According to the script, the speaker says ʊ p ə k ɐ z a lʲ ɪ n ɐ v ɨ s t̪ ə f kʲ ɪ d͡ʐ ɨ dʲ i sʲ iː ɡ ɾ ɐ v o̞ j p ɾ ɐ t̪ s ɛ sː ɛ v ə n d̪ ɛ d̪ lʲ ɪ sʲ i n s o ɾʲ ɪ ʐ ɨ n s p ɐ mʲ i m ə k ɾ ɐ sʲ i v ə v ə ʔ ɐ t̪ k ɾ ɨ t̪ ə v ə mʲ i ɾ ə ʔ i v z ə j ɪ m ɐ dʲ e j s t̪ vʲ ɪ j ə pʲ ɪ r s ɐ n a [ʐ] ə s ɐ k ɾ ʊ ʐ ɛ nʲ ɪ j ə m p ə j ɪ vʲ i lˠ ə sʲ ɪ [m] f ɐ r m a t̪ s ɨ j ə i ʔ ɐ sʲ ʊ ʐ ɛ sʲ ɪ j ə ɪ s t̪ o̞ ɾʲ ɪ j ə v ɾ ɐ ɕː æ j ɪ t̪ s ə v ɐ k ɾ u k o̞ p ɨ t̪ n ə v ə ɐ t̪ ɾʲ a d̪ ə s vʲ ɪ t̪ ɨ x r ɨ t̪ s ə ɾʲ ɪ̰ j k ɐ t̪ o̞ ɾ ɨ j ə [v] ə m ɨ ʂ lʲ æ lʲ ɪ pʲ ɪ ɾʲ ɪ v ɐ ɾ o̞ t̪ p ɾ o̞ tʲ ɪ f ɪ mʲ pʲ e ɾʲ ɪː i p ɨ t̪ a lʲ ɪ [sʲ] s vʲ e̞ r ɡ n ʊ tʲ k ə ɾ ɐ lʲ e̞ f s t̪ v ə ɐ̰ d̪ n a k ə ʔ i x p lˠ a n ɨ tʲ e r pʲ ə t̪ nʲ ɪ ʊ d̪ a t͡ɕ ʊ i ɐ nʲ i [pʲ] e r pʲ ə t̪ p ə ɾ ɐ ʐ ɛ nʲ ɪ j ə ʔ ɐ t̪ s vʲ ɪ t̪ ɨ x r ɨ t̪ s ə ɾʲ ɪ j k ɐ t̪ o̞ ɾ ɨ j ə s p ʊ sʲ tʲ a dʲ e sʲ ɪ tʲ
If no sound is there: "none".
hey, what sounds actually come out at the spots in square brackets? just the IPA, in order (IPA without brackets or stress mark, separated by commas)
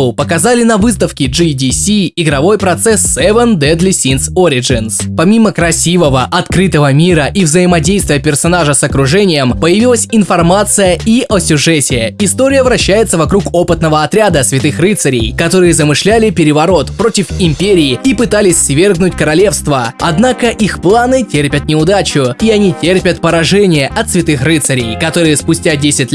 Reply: ʐ, n, z, sʲ, tʲ